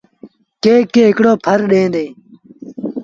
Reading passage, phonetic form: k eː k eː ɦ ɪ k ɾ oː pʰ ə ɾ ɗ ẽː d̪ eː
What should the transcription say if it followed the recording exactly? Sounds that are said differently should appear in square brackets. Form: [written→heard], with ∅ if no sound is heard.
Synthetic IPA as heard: k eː k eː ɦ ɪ k [ɾ→ɽ] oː pʰ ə ɾ ɗ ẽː d̪ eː